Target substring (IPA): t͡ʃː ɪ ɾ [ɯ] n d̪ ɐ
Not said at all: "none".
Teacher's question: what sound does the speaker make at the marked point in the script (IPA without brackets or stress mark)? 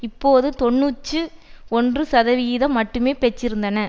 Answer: ɯ